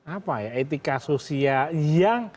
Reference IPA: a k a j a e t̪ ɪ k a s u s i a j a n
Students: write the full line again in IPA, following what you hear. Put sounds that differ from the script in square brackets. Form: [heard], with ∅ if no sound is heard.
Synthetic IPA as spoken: a [p] a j a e t̪ [i] k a s [o] s i a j a [ŋ]